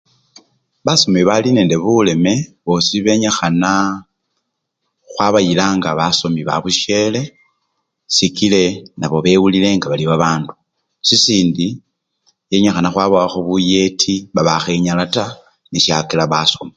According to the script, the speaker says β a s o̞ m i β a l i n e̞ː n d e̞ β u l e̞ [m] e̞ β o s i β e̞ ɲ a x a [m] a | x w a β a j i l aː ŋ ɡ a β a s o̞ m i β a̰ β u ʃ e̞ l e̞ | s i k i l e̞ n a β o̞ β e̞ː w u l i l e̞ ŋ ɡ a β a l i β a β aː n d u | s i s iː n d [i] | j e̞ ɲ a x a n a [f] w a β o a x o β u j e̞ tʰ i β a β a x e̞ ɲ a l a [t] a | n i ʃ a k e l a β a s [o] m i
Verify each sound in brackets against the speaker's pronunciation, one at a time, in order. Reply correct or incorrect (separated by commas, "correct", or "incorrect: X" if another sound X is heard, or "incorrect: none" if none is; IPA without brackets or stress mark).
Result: correct, incorrect: n, correct, incorrect: x, correct, correct